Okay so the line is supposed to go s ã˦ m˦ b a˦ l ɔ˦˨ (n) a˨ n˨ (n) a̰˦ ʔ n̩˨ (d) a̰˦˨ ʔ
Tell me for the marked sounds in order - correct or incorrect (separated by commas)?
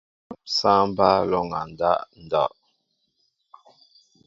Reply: incorrect, incorrect, correct